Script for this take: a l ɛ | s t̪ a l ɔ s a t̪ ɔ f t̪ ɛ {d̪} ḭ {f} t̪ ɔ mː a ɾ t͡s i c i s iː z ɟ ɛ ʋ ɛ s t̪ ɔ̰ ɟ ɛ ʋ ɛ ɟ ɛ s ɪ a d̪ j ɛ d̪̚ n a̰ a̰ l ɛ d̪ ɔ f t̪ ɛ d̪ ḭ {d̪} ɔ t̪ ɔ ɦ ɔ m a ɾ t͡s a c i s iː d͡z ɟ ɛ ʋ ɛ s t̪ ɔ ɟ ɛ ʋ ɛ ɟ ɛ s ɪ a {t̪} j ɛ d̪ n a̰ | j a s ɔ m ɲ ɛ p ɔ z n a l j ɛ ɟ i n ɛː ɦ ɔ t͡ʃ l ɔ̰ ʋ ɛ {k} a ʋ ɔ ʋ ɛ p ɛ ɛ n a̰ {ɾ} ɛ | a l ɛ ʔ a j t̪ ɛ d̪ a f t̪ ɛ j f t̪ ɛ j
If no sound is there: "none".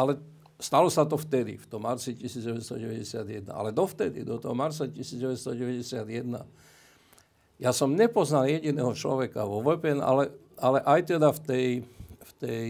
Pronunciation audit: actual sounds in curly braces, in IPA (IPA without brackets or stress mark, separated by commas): d̪, f, d̪, d̪, k, l